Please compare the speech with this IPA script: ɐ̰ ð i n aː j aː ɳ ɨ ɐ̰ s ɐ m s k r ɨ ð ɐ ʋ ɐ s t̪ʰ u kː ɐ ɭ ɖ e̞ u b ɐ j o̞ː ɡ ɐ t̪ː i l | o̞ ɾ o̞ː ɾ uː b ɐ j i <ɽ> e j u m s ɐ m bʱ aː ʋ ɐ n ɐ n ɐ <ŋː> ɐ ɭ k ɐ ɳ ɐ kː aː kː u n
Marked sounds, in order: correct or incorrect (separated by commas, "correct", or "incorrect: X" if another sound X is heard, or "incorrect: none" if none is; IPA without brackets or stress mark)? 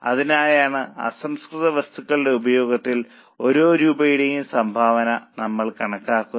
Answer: correct, incorrect: mː